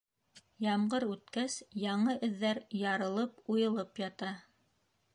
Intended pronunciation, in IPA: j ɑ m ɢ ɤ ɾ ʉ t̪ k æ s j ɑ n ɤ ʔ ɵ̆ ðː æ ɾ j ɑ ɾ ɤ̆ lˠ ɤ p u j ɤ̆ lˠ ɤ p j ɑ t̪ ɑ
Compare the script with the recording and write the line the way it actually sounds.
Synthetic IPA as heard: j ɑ m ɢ ɤ ɾ ʉ t̪ k æ s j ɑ ɴ ɤ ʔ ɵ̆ ðː æ ɾ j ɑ ɾ ɤ̆ lˠ ɤ p u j ɤ̆ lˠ ɤ p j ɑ t̪ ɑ